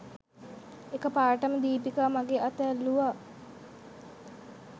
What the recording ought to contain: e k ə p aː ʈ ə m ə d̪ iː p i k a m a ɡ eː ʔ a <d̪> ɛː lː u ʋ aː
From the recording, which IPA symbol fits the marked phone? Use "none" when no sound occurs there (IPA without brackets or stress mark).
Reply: t̪